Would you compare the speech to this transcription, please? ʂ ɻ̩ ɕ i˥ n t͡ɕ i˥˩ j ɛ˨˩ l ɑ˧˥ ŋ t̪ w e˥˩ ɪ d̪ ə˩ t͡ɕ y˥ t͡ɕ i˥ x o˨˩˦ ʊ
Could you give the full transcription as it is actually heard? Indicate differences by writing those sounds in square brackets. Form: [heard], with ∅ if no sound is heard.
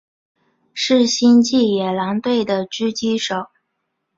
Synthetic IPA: ʂ ɻ̩ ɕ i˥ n t͡ɕ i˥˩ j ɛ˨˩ l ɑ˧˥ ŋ t̪ w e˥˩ ɪ d̪ ə˩ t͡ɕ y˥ t͡ɕ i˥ [ʂ] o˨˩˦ ʊ